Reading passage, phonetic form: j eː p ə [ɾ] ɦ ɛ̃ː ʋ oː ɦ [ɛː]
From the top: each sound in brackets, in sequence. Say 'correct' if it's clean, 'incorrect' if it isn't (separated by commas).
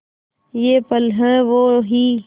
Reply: incorrect, incorrect